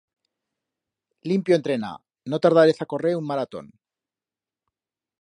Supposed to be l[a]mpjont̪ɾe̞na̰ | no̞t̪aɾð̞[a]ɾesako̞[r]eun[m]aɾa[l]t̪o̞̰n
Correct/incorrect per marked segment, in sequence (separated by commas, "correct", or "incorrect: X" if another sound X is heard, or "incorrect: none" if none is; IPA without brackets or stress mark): incorrect: i, correct, correct, correct, incorrect: none